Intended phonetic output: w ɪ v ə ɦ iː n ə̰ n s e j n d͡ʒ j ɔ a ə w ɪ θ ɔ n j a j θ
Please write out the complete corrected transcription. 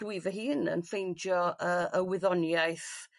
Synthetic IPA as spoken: w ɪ v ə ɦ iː n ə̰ n f e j n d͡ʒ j ɔ ə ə w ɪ ð ɔ n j a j θ